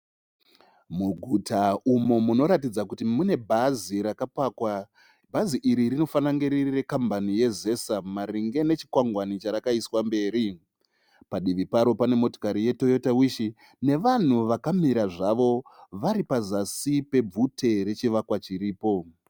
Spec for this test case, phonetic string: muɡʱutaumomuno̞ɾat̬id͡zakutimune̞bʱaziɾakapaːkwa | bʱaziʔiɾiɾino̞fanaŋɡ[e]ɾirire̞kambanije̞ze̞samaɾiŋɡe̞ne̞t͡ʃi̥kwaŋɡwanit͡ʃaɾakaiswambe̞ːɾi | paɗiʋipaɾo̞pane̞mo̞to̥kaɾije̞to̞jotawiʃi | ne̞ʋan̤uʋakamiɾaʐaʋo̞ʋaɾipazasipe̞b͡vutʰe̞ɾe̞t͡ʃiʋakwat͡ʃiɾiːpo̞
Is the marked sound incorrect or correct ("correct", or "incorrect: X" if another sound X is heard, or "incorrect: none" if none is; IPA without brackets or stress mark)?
correct